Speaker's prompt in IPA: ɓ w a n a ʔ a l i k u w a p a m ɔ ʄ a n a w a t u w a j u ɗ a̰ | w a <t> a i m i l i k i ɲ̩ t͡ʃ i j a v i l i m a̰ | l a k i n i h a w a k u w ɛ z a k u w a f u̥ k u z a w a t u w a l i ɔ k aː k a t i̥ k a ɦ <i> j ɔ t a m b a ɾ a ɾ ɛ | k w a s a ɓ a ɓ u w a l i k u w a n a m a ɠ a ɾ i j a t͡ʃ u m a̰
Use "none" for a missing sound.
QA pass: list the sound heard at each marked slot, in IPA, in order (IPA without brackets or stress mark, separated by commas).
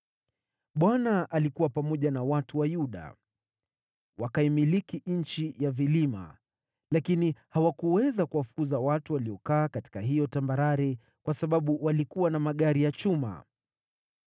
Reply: k, i